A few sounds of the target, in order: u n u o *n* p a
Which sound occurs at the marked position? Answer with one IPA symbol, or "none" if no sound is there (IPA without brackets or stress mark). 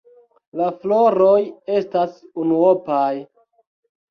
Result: none